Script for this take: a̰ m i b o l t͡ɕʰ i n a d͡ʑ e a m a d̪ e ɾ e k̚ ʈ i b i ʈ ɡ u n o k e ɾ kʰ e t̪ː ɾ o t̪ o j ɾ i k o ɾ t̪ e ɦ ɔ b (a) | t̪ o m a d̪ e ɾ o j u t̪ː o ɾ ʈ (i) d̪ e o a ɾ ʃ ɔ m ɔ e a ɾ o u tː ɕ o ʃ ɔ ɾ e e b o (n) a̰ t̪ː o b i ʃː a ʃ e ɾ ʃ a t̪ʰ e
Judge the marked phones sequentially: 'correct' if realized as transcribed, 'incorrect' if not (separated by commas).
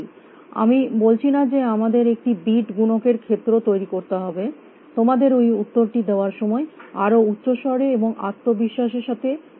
incorrect, correct, incorrect